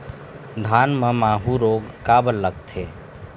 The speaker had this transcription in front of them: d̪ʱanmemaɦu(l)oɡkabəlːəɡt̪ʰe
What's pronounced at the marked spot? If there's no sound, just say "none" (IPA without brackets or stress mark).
ɾ